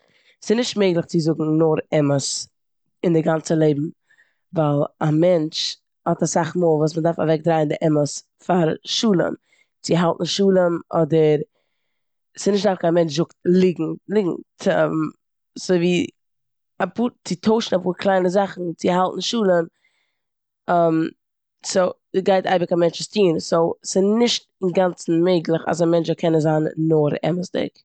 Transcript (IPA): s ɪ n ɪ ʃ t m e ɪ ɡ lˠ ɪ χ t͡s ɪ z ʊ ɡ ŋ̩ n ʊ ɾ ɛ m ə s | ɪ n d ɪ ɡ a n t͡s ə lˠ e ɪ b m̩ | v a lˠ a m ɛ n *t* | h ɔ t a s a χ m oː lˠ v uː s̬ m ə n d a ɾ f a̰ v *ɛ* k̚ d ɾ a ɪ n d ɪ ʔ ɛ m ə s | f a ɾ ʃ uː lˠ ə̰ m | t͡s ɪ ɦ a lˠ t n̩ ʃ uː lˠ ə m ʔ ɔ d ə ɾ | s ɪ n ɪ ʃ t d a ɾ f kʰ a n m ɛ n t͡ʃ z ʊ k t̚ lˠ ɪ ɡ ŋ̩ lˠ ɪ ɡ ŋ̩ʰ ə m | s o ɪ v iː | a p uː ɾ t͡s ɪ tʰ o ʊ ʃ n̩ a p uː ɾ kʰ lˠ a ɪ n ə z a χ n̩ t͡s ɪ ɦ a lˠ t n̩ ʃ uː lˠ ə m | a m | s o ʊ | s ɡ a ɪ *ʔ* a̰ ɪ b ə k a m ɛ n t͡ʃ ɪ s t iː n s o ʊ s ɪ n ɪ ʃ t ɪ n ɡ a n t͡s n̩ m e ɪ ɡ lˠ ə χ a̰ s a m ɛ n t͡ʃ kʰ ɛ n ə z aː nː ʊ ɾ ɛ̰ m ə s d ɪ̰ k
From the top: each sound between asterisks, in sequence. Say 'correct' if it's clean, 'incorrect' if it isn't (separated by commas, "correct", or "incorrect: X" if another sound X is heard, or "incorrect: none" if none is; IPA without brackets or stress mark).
incorrect: t͡ʃ, correct, incorrect: t